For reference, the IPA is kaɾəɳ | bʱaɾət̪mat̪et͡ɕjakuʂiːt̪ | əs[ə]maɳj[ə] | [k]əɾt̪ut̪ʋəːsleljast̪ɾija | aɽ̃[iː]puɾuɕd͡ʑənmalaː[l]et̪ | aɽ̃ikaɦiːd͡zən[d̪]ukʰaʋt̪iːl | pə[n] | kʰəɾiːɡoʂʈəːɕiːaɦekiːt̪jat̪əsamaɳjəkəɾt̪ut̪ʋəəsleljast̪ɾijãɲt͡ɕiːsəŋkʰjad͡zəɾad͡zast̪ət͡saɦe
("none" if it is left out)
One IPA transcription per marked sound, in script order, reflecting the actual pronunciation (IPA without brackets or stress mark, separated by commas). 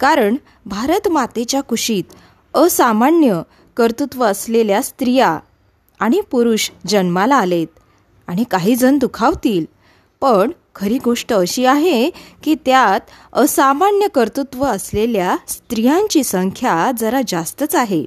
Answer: a, ə, k, i, l, d̪, ɳ